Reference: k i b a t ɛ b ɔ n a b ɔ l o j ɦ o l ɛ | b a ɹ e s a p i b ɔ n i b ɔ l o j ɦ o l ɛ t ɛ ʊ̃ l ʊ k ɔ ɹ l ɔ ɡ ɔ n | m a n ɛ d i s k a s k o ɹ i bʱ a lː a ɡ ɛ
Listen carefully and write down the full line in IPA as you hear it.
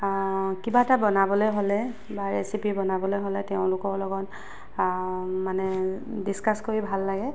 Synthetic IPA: k i b a t a b ɔ n a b ɔ l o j ɦ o l ɛ | b a ɹ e s i p i b ɔ n a b ɔ l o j ɦ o l ɛ t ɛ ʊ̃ l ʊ k ɔ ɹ l ɔ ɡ ɔ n | m a n ɛ d i s k a s k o ɹ i bʱ a lː a ɡ ɛ